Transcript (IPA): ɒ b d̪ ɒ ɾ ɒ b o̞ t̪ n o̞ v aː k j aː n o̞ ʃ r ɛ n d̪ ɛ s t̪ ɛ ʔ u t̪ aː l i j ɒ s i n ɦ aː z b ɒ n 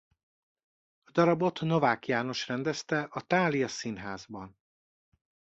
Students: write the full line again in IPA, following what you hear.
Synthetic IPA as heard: ɒ d̪ ɒ ɾ ɒ b o̞ t̪ n o̞ v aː k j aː n o̞ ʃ r ɛ n d̪ ɛ s t̪ ɛ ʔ ɒ t̪ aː l i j ɒ s i n ɦ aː z b ɒ n